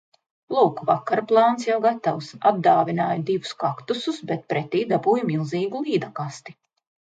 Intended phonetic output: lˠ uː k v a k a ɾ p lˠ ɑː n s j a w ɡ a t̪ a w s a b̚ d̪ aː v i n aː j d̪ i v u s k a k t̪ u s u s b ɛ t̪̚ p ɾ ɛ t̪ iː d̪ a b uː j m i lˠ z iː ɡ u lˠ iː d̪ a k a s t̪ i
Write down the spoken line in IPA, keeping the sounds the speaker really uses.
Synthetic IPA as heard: lˠ uː k v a k a ɾ p lˠ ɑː n s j a w ɡ a t̪ a w s a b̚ d̪ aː v i n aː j d̪ i v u s k a k t̪ u s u s b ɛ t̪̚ p ɾ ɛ t̪ iː d̪ a b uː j m i lˠ z iː ɡ u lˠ iː d̪ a k a s t̪ i